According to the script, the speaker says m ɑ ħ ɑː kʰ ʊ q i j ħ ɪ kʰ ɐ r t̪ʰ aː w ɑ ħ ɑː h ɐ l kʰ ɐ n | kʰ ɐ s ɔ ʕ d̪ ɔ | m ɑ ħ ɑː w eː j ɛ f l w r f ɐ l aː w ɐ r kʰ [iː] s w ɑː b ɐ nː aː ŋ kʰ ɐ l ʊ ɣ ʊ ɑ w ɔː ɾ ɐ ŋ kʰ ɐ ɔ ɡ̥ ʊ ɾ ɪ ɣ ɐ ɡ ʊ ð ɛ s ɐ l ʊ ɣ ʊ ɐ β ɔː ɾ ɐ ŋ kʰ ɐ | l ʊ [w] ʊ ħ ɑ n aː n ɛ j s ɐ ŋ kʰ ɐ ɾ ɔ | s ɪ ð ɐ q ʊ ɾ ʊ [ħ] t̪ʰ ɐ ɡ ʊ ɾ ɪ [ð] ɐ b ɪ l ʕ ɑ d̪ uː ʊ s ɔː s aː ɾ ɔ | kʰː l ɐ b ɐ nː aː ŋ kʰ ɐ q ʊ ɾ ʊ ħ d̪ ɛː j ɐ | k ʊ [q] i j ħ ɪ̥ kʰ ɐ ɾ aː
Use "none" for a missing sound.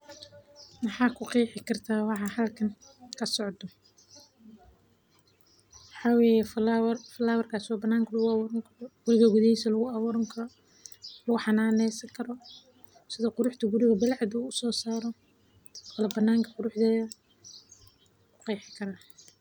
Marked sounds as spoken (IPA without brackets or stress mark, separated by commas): aː, ɣ, ħ, ɣ, q